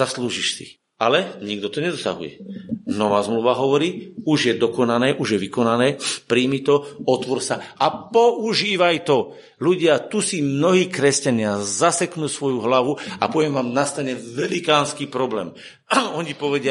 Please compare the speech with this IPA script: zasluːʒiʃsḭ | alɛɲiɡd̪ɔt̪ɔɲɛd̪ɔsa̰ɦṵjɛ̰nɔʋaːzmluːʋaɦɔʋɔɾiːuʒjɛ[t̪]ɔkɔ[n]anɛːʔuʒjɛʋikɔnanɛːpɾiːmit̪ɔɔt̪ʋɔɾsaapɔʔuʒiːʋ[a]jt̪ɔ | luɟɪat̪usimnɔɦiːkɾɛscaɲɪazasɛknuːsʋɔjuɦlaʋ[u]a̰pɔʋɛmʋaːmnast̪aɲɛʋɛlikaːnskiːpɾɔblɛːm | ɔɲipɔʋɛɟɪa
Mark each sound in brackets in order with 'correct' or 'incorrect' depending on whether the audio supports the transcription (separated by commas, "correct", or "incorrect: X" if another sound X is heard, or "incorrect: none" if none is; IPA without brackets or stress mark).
incorrect: d̪, correct, correct, correct